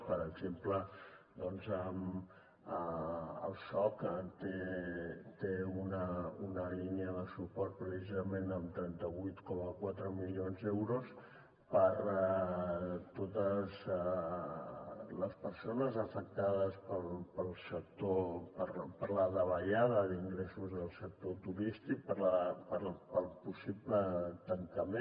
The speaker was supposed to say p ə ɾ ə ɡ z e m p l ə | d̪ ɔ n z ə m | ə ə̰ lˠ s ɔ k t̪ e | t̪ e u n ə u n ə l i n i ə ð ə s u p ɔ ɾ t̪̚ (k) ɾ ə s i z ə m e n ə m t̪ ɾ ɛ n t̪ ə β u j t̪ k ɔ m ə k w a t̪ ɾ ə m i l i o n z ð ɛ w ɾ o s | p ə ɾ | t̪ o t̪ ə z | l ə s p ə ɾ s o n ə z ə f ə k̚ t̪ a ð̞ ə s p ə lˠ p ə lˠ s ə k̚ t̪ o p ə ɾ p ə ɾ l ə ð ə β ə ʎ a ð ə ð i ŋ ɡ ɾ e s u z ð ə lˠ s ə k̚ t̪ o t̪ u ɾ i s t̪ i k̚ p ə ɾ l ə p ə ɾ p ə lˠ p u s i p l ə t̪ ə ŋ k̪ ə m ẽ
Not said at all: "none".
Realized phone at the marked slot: p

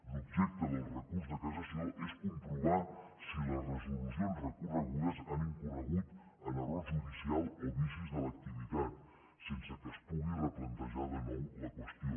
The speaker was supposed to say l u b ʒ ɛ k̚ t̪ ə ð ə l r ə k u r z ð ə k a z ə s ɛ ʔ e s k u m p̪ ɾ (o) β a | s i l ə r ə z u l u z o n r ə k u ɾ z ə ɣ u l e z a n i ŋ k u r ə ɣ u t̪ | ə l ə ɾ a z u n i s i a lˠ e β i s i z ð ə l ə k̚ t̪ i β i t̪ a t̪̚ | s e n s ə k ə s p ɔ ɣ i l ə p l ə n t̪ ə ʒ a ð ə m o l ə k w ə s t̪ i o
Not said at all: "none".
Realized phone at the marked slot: u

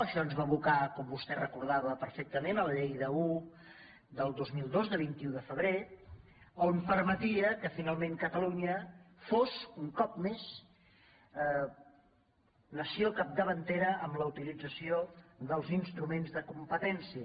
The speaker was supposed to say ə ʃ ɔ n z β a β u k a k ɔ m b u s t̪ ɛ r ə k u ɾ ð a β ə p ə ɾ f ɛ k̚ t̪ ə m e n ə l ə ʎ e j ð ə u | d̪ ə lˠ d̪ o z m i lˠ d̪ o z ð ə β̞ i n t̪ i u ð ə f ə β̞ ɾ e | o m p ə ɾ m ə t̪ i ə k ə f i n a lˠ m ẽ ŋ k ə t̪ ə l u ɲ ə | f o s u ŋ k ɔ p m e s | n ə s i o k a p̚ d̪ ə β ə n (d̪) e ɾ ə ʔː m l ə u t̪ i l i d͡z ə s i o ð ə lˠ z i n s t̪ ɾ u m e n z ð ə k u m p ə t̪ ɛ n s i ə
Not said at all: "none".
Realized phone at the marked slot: t̪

